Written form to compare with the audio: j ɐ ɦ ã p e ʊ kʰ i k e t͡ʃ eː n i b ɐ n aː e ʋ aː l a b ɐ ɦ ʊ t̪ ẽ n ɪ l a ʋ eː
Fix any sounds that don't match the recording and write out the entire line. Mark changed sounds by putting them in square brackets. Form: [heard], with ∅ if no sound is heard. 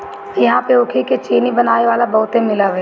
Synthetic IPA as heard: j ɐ ɦ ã p e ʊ kʰ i k e t͡ʃ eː n i b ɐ n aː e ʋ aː l a b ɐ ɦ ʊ t̪ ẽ [m] ɪ l a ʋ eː